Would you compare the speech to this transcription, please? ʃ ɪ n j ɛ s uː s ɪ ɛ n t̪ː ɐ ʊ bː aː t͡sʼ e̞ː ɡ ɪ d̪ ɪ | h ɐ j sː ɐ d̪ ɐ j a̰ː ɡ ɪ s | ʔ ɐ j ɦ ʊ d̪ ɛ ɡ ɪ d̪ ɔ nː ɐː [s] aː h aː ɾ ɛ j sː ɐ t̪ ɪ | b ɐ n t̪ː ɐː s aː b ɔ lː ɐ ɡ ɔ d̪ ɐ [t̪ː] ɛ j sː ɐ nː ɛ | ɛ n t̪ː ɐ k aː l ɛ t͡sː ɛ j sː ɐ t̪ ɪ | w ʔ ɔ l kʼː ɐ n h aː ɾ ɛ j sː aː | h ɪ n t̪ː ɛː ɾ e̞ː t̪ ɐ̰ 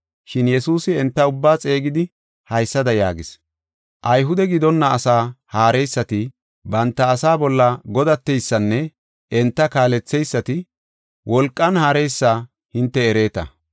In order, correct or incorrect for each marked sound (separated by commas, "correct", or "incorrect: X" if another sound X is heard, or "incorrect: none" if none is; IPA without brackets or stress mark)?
correct, correct